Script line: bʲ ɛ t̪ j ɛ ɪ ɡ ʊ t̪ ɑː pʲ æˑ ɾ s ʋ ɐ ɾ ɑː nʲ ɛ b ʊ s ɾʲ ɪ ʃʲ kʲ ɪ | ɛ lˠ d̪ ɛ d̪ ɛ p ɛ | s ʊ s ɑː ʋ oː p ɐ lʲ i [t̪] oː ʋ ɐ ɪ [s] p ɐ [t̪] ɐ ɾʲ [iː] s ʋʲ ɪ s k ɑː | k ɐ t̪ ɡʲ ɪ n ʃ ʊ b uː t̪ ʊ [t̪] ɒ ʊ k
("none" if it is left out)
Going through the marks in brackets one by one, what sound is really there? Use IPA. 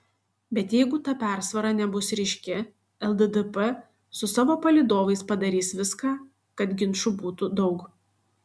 d̪, s, d̪, iː, d̪

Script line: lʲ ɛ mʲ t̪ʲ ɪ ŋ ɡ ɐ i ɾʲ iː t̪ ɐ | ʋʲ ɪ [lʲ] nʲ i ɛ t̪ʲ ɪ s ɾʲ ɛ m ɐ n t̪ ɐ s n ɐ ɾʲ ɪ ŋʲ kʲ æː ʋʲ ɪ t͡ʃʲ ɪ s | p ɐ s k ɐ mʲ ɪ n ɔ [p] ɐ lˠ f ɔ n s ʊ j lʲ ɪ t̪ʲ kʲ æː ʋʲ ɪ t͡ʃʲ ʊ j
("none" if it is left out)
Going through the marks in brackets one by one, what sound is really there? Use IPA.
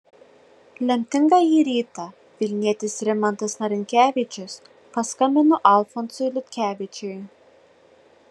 lʲ, ʔ

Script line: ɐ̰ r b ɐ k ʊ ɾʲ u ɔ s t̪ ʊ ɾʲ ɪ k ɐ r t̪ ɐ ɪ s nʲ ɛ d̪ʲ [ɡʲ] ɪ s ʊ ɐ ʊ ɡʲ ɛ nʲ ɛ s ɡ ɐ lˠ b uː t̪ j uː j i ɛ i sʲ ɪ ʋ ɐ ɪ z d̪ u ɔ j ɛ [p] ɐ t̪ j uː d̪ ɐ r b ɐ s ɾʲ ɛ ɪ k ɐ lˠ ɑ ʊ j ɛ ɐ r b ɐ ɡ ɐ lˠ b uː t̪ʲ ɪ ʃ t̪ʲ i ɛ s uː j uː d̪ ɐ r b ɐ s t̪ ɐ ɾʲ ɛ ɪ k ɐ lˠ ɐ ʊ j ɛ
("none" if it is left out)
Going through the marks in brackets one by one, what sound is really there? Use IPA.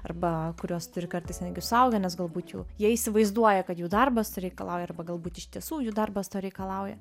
ɡʲ, k

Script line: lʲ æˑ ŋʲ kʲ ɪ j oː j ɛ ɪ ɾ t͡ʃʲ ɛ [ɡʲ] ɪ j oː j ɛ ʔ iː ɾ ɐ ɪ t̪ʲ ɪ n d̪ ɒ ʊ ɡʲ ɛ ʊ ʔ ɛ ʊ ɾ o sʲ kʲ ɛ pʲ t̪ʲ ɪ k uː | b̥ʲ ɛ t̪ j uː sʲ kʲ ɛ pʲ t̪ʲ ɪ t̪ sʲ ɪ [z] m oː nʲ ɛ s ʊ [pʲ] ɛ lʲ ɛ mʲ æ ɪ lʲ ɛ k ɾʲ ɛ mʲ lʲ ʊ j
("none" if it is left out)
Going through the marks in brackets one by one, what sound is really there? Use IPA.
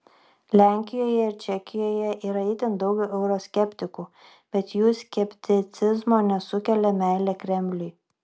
kʲ, z, kʲ

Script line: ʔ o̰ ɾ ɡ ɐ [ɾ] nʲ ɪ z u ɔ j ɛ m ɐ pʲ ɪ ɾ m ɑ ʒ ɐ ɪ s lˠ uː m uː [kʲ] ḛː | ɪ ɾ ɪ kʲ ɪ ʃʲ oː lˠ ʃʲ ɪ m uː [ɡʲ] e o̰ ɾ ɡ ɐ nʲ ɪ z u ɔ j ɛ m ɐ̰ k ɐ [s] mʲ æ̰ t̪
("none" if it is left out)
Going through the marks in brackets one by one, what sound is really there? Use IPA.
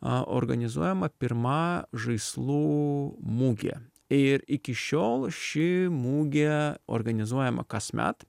none, ɡʲ, ɡʲ, s

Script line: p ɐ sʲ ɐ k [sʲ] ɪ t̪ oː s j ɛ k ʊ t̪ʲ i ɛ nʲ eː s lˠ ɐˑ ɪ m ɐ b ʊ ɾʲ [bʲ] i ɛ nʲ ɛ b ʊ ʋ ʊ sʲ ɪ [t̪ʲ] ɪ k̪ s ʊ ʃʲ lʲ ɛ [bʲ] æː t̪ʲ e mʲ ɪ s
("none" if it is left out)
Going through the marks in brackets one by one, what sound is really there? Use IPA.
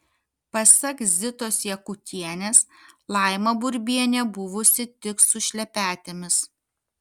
zʲ, bʲ, t̪ʲ, pʲ

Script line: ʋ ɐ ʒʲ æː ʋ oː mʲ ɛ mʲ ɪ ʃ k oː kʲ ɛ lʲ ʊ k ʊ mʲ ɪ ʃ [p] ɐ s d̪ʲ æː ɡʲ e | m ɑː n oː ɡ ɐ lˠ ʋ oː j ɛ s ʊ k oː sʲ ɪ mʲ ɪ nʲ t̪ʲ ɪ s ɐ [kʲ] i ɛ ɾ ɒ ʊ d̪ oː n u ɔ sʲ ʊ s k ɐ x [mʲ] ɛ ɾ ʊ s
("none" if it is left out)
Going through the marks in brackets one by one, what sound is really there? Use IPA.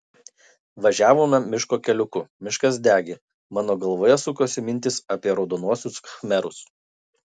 k, pʲ, mʲ

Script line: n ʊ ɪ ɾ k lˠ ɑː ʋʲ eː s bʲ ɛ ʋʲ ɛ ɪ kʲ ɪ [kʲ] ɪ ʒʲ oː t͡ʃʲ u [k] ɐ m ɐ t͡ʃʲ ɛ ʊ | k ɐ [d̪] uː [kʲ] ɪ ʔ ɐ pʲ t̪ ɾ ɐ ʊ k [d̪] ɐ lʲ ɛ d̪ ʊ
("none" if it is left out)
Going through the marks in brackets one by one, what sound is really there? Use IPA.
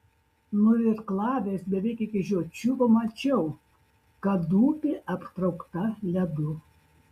kʲ, p, d̪, pʲ, t̪

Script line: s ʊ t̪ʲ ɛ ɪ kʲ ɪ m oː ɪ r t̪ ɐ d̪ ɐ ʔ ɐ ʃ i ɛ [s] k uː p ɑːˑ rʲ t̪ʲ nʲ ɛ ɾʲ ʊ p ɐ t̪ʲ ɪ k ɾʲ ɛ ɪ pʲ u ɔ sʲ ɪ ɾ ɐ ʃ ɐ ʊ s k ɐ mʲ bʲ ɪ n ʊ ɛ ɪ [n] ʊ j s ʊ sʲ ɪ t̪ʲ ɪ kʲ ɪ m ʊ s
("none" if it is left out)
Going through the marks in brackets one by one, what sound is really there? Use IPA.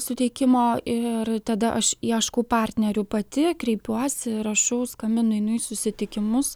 ʃ, n

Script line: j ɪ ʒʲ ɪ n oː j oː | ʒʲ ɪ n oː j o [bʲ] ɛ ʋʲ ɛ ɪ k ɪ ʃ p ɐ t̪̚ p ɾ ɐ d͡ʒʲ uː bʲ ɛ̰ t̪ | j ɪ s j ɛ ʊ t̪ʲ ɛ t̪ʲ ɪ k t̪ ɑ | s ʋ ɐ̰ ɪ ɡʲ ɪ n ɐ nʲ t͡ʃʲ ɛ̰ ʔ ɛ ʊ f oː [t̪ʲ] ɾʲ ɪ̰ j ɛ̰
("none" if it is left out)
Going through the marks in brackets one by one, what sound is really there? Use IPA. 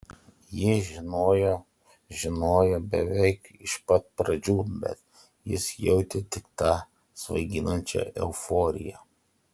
bʲ, none

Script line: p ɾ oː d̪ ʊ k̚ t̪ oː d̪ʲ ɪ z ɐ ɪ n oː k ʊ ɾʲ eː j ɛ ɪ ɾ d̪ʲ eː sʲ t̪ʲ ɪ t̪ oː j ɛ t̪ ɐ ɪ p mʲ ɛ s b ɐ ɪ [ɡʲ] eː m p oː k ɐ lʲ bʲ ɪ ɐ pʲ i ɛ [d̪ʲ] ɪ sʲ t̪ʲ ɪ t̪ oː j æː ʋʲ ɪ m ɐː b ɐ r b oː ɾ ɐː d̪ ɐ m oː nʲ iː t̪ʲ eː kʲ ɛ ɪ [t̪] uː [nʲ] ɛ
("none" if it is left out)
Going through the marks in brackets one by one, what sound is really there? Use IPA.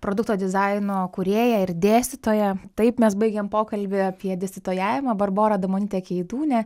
ɡʲ, d̪ʲ, d̪, nʲ

